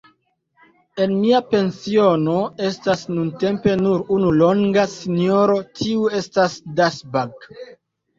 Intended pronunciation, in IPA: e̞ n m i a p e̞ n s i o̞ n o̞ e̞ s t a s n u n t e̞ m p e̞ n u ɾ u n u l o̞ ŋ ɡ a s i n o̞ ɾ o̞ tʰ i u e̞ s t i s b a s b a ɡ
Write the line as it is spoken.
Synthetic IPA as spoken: e̞ n m i a p e̞ n s i o̞ n o̞ e̞ s t a s n u n t e̞ m p e̞ n u ɾ u n u l o̞ ŋ ɡ a s i n o̞ ɾ o̞ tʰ i u e̞ s t a s d a s b a ɡ